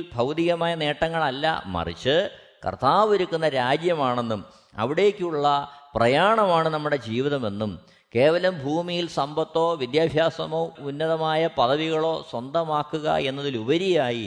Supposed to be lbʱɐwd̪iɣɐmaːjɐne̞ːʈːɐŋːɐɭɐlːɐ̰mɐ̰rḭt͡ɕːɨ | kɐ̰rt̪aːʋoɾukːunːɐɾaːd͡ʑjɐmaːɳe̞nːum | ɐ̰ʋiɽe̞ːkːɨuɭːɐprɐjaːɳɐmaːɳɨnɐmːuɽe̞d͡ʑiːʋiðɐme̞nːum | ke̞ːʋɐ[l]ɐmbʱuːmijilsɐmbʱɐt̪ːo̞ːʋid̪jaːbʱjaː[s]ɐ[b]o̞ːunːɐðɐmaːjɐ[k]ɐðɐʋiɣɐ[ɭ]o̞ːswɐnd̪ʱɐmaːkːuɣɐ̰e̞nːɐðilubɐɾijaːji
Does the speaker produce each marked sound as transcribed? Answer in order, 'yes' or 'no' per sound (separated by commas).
yes, yes, no, no, yes